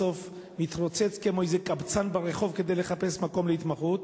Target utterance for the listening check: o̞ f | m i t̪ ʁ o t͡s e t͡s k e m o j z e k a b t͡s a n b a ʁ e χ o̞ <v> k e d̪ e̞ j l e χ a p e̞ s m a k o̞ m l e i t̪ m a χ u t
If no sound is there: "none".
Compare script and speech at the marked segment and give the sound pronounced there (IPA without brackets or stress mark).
v